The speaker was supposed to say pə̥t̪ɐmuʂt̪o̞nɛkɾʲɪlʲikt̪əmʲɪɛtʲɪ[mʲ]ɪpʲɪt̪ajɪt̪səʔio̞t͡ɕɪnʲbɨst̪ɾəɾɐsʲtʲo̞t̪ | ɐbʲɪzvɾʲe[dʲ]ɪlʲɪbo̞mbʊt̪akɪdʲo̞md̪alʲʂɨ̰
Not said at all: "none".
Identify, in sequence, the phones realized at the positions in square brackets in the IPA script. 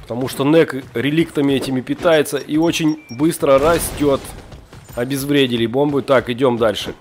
mʲ, dʲ

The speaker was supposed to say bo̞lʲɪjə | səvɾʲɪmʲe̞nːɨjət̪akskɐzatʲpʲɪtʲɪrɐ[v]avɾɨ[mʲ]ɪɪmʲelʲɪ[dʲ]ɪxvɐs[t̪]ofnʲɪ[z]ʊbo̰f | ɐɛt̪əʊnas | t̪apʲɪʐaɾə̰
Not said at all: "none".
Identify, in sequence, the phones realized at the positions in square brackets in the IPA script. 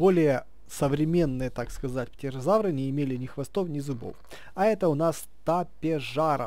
z, nʲ, nʲ, t̪, z

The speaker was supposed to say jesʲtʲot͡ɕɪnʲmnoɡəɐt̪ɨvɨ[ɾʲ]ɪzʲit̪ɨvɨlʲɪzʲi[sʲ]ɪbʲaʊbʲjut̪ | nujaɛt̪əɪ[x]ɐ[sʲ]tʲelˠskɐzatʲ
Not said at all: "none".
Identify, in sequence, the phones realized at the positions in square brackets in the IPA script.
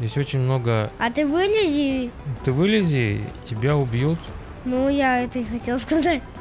lʲ, tʲ, x, none

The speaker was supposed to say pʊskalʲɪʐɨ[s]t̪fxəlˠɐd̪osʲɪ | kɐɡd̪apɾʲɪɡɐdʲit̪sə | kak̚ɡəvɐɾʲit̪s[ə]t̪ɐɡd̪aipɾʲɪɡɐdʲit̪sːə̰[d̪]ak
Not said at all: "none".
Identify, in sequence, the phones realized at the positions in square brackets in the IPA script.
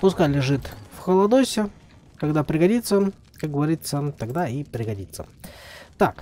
none, ə, t̪

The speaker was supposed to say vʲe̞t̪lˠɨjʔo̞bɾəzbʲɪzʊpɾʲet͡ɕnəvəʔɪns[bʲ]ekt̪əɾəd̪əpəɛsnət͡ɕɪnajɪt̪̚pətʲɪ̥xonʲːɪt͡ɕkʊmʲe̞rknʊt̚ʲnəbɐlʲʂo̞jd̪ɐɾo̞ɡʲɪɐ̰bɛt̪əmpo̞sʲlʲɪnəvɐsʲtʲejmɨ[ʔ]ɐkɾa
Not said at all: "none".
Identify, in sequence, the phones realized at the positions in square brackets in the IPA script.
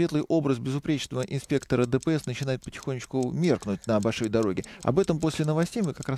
pʲ, k

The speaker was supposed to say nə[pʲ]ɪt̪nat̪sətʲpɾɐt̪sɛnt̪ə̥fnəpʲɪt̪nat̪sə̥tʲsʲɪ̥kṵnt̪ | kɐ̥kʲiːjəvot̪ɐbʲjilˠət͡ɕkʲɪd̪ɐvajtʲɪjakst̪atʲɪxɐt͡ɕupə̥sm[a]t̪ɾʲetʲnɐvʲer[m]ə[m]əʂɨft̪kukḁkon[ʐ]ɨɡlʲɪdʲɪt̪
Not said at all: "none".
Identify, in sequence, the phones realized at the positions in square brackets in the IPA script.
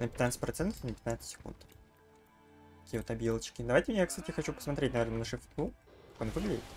pʲ, ɐ, n, n, v

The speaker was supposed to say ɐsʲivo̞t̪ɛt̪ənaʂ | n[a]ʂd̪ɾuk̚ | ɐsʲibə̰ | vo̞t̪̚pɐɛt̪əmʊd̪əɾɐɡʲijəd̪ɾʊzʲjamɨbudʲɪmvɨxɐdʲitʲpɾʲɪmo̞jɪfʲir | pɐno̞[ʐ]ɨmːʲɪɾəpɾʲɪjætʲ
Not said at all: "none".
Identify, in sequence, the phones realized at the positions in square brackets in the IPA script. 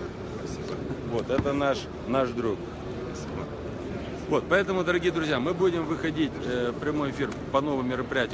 a, v

